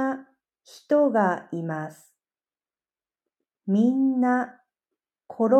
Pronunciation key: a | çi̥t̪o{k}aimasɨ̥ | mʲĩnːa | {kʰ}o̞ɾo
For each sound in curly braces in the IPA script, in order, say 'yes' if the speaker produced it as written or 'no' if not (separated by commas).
no, yes